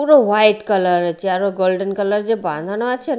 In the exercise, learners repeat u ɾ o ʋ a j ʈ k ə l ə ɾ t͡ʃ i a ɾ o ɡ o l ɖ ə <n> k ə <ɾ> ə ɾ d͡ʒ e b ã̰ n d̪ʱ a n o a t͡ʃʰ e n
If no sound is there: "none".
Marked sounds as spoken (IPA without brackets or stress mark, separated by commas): n, l